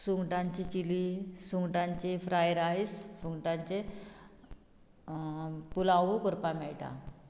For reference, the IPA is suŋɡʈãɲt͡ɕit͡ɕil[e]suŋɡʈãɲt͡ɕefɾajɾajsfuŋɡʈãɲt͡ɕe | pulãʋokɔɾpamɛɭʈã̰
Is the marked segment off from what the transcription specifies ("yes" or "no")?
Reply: yes